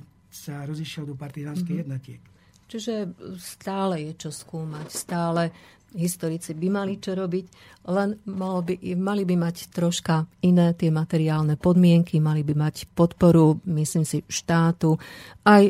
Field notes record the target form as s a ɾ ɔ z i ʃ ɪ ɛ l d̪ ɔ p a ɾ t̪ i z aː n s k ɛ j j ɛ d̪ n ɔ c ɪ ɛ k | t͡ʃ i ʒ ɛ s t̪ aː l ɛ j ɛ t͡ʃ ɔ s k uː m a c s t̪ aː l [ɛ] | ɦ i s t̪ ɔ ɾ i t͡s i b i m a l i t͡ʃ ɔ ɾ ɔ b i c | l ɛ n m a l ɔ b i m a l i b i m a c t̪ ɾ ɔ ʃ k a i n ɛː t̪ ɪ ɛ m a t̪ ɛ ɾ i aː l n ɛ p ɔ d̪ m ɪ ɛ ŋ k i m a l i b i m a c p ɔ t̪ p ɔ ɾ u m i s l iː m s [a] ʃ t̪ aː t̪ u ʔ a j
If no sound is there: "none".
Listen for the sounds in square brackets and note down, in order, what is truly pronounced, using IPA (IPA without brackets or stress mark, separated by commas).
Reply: ɛ, i